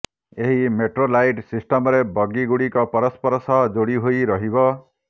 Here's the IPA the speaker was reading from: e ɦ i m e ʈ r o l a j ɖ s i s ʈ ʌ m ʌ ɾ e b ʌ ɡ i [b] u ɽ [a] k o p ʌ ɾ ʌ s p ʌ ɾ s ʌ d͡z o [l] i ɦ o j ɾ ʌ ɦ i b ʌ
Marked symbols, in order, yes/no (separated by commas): no, no, no